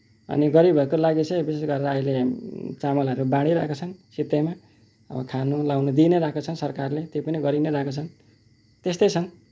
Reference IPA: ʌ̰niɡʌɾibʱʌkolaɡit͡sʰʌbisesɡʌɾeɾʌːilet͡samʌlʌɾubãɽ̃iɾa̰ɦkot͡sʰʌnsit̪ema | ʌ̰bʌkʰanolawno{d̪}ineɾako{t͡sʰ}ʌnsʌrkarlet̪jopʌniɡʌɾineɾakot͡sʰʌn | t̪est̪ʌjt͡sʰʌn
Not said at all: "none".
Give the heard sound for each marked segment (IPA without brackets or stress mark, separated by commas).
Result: d̪, t͡sʰ